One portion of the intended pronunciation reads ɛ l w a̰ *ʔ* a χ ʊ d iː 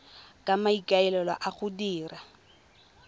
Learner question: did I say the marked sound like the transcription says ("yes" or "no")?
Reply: yes